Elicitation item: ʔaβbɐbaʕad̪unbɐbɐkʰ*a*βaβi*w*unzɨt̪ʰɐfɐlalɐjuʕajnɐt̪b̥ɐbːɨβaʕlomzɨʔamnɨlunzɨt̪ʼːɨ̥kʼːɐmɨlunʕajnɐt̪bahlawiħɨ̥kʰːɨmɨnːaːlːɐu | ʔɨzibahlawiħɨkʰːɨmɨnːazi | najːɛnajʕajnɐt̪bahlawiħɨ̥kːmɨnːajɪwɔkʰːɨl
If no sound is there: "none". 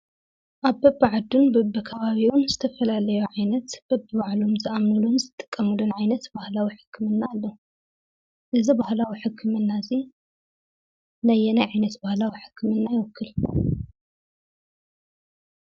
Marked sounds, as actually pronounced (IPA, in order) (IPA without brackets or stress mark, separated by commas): ɐ, w